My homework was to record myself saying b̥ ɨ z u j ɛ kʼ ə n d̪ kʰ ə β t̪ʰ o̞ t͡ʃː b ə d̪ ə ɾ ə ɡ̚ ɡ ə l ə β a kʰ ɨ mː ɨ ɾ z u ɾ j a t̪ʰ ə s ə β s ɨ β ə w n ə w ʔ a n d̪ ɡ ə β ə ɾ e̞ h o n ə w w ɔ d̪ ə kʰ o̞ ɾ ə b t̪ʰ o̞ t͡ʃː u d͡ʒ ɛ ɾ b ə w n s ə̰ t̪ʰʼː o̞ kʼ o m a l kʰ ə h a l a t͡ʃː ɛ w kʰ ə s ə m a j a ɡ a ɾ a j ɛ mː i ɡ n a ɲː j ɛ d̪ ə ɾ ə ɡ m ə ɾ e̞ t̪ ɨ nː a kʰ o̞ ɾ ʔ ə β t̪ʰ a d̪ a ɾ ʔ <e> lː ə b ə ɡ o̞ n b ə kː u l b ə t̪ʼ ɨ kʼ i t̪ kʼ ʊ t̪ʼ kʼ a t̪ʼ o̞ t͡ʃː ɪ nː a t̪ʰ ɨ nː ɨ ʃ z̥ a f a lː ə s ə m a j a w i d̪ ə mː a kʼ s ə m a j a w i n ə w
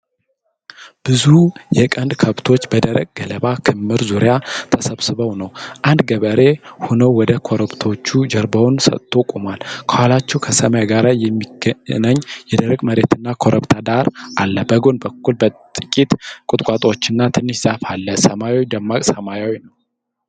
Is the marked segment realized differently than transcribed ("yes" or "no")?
yes